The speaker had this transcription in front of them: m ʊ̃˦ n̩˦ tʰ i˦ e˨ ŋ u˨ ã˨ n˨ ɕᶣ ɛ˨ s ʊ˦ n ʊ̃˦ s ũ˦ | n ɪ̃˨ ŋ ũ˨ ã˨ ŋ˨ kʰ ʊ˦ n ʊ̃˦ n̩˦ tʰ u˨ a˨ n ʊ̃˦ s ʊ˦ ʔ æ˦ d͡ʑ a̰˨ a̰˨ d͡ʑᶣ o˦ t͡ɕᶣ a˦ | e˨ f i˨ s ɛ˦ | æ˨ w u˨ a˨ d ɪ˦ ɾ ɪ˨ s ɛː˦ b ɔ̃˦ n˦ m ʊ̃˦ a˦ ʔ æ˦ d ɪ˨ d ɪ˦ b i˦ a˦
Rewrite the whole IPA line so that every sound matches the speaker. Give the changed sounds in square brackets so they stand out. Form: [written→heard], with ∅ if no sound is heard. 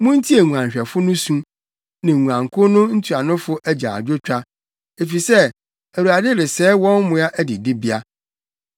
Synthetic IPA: m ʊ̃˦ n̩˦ tʰ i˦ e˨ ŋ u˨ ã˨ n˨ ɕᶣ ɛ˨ [s→f] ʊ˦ n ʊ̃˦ s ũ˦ | n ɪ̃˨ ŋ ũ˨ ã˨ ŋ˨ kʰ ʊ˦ n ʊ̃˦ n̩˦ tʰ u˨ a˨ n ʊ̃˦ [s→f] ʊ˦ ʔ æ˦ d͡ʑ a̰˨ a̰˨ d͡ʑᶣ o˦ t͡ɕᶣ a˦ | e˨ f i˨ s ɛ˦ | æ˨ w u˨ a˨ d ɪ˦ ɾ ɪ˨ s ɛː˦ [b→w] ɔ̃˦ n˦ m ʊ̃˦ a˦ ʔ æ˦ d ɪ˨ d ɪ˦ b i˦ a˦